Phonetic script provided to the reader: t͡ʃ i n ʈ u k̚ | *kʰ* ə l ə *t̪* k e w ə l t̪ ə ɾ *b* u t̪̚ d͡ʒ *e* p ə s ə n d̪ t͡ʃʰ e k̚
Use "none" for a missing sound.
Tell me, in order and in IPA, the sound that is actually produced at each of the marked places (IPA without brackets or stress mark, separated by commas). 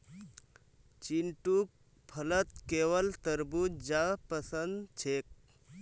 pʰ, t̪, b, a